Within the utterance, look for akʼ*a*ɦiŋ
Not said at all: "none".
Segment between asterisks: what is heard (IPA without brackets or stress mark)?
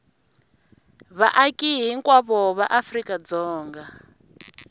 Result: i